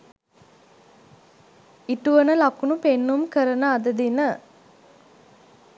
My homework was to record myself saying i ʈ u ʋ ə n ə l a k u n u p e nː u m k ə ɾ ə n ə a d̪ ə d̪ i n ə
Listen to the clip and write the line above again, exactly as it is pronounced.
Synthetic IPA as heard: i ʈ u ʋ ə n ə l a k u n u p e nː u m k ə ɾ ə n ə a d̪ ə d̪ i n ə